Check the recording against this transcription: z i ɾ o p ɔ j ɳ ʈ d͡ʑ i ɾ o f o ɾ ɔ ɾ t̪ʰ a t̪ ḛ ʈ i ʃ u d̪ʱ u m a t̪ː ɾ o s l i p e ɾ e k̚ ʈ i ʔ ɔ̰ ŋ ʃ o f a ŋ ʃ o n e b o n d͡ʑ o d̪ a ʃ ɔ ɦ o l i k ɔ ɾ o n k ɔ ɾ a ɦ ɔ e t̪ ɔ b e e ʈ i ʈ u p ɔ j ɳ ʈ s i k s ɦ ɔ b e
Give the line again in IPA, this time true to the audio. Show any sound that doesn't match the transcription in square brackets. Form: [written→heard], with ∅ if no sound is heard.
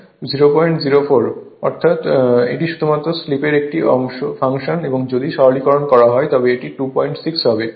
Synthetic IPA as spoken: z i ɾ o p ɔ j ɳ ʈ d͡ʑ i ɾ o f o ɾ ɔ ɾ t̪ʰ a t̪ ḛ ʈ i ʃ u d̪ʱ u m a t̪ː ɾ o s l i p e ɾ e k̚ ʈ i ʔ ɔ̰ ŋ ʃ o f a ŋ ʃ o n e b o [n→ŋ] d͡ʑ o d̪ [a→i] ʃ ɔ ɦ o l i k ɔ ɾ o n k ɔ ɾ a ɦ ɔ e t̪ ɔ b e e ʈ i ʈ u p ɔ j ɳ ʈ s i k s ɦ ɔ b e